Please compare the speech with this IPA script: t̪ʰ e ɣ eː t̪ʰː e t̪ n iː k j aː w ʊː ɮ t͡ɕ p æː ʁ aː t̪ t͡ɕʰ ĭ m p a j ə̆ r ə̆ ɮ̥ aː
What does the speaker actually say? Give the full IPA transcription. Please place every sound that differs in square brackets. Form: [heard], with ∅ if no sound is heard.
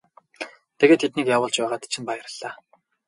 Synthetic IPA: t̪ʰ e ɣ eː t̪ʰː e t̪ n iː k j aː w ʊː ɮ t͡ɕ p æː ʁ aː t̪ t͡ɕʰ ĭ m p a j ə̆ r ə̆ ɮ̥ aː